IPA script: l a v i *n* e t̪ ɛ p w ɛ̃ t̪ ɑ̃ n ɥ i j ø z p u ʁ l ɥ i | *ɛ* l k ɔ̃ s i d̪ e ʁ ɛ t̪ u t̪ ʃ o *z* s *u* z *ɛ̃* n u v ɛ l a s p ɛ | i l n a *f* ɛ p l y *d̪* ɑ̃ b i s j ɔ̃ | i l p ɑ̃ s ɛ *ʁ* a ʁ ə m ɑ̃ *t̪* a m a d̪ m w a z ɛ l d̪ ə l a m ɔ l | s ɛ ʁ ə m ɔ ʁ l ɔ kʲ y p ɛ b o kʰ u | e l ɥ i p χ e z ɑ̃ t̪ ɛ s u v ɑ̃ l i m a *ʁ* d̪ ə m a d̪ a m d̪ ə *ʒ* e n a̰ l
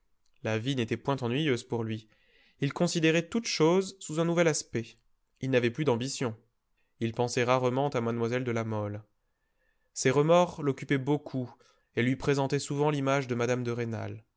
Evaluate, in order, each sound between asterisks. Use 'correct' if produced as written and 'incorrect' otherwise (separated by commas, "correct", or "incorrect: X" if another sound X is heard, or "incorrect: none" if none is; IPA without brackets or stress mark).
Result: correct, incorrect: i, correct, correct, correct, incorrect: v, correct, correct, correct, incorrect: ʒ, incorrect: ʁ